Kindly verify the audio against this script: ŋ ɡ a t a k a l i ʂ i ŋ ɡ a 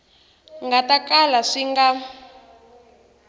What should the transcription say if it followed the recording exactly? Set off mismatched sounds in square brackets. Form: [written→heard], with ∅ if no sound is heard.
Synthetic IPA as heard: ŋ ɡ a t a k a l [i→a] ʂ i ŋ ɡ a